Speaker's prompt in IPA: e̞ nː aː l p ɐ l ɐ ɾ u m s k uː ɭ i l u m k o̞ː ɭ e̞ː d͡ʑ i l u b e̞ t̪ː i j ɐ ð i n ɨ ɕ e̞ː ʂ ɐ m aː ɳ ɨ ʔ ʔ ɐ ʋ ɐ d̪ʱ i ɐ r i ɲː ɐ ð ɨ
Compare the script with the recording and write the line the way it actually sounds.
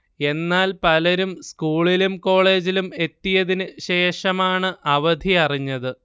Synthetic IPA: e̞ nː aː l p ɐ l ɐ ɾ u m s k uː ɭ i l u m k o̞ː ɭ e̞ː d͡ʑ i l u m e̞ t̪ː i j ɐ ð i n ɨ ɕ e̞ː ʂ ɐ m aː ɳ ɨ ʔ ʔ ɐ ʋ ɐ d̪ʱ i ɐ r i ɲː ɐ ð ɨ